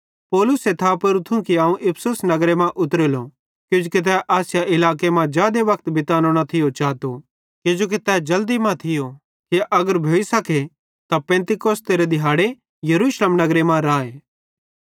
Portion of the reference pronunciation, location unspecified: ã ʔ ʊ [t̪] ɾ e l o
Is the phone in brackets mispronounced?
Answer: no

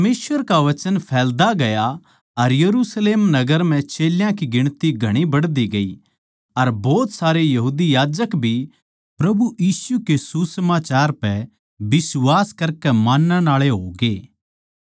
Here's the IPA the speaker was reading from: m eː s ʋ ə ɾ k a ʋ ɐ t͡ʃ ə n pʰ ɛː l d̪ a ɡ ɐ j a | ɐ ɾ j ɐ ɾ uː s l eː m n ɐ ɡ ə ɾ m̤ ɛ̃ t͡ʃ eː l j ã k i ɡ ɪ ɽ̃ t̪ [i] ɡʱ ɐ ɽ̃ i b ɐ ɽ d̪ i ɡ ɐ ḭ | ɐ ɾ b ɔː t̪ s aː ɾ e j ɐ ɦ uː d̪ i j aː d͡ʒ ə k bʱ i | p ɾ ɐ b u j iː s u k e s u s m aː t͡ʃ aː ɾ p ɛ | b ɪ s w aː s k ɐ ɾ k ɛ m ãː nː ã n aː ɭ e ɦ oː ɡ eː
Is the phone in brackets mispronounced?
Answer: no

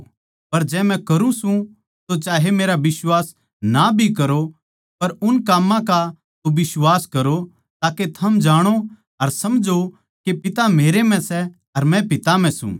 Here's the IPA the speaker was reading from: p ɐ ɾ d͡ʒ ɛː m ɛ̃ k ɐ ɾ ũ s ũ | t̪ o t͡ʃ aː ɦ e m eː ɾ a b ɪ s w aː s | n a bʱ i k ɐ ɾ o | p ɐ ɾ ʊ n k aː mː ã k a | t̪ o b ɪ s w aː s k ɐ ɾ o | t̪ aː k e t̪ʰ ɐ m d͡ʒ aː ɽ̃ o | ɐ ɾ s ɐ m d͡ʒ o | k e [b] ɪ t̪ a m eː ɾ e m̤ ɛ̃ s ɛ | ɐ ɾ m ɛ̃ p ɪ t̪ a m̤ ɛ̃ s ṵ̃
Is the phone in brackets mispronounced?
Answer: yes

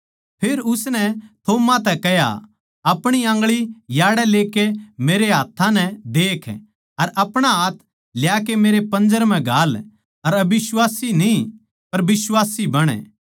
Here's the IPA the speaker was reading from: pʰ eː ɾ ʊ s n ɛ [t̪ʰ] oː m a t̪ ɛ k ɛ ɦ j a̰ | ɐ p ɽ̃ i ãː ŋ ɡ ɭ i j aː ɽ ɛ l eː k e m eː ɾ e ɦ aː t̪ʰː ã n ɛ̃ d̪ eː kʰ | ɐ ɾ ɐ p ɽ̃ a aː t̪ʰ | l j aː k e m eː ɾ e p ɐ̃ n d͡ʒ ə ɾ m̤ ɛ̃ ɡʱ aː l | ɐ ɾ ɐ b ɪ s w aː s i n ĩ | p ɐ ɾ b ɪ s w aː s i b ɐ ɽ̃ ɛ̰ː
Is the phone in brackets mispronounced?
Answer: no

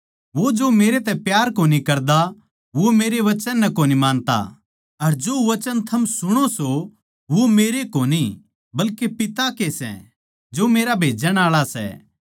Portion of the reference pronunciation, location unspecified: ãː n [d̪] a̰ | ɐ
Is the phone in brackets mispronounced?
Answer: yes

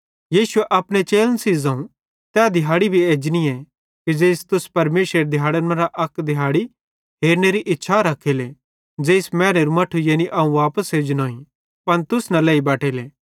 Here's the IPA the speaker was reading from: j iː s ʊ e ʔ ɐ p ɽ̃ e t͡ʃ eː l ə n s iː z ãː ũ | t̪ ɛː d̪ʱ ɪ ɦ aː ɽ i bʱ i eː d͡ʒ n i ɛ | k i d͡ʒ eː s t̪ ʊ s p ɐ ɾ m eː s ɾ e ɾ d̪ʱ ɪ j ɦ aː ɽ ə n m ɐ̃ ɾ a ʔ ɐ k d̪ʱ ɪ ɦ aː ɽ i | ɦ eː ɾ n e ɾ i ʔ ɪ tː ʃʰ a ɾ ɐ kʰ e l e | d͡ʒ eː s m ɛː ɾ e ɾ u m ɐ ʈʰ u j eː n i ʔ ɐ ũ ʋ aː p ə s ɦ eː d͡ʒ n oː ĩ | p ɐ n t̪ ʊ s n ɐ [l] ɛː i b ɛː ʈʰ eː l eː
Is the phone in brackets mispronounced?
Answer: no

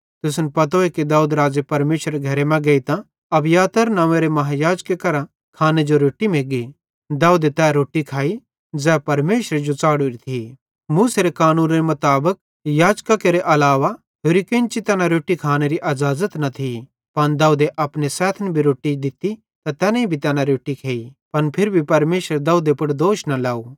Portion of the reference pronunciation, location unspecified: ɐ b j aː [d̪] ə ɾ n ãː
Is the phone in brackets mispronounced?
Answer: yes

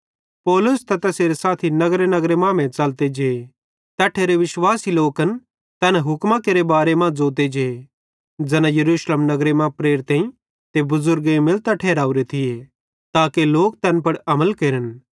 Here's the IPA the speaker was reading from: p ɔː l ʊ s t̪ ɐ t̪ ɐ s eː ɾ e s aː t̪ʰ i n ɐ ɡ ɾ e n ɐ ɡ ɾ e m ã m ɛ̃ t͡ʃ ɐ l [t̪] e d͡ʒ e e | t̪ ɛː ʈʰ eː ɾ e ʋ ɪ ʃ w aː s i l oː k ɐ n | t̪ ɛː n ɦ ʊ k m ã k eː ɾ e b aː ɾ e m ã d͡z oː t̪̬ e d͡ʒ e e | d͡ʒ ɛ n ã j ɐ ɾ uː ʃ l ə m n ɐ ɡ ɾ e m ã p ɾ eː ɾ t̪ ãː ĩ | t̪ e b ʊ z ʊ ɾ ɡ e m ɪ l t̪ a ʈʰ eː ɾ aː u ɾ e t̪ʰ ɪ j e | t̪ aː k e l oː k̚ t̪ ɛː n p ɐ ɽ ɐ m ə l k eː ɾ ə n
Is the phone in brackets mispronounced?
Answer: no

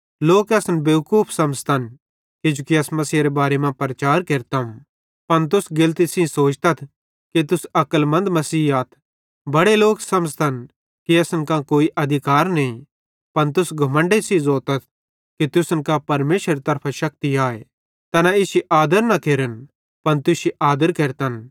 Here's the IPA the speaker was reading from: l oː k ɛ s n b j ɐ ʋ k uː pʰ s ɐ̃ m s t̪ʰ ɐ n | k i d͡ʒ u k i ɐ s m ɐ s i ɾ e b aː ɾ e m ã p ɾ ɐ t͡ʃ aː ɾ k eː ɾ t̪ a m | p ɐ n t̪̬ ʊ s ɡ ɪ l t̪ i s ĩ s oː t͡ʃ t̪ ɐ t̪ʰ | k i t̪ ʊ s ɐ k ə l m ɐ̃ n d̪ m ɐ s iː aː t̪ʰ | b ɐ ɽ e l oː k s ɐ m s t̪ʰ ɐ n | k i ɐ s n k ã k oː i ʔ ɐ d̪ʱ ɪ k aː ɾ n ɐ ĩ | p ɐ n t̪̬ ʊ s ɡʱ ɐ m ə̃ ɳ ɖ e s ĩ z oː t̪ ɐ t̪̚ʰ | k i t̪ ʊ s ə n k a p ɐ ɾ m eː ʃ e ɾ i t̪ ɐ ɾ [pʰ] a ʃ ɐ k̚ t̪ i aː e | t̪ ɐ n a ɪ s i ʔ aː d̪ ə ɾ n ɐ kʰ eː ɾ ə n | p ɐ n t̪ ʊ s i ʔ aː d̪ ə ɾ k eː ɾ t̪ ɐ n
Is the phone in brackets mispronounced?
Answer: no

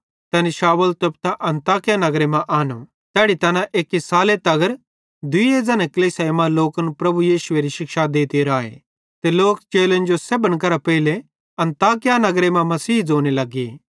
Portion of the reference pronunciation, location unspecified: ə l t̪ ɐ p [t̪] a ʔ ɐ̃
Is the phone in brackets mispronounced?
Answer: no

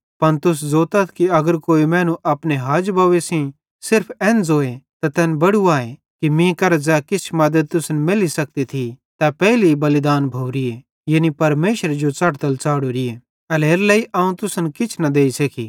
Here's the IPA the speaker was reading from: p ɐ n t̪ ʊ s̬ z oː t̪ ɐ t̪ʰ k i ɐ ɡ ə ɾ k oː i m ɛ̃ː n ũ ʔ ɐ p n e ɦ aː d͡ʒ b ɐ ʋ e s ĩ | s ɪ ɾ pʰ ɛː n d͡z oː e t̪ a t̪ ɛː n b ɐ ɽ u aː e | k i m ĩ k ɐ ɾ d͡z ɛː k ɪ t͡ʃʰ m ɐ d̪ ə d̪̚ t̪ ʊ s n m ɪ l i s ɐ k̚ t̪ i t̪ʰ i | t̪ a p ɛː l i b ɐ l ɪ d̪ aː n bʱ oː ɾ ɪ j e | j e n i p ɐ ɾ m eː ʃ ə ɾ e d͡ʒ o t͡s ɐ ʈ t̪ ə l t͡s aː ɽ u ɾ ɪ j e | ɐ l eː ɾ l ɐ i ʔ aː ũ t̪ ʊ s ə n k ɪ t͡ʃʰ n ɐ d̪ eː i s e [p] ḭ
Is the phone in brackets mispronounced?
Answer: yes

